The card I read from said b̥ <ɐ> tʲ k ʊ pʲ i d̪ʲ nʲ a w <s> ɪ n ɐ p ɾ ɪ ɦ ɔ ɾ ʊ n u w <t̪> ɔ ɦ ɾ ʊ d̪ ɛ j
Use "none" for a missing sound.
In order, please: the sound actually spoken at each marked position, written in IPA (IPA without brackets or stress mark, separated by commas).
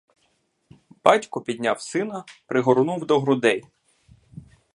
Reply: ɑ, s, d̪